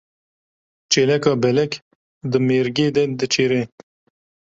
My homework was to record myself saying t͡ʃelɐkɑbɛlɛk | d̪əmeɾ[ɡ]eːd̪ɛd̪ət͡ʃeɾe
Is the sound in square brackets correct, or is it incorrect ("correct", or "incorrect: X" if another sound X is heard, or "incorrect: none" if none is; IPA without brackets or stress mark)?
correct